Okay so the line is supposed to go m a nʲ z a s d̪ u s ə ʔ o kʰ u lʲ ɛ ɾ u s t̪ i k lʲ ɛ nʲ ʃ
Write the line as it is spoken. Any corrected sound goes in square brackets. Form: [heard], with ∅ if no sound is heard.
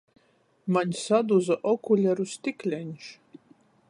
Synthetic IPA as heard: m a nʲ [s] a [∅] d̪ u [z] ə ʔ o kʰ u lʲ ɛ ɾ u s t̪ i k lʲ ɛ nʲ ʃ